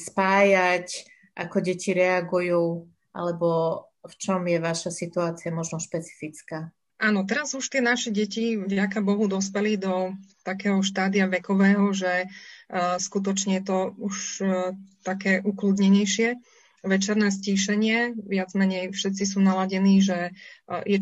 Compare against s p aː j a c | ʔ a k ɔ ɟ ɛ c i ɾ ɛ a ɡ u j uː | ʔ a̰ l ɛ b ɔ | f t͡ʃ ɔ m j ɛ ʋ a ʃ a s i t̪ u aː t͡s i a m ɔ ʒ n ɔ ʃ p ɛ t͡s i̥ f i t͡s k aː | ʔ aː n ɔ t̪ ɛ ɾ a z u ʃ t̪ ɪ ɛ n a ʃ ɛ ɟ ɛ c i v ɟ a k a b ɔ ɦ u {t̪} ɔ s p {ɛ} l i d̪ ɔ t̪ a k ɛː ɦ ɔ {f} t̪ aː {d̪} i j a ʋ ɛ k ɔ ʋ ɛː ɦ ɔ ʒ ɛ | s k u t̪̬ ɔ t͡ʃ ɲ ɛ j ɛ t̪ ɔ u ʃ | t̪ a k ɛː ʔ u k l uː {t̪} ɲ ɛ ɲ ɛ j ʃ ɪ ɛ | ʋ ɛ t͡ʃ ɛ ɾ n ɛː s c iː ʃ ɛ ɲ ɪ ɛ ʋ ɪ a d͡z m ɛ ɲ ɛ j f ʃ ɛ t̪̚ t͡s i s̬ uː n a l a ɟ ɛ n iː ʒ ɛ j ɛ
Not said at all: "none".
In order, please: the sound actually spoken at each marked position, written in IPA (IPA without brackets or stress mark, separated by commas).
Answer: d̪, ɛ, ʃ, d̪, d̪